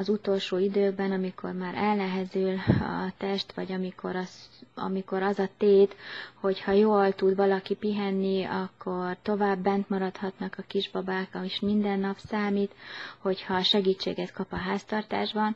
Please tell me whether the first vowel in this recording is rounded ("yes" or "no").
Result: yes